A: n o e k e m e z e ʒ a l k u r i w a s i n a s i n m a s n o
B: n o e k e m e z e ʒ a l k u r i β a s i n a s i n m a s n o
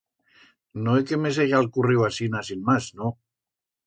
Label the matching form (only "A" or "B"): A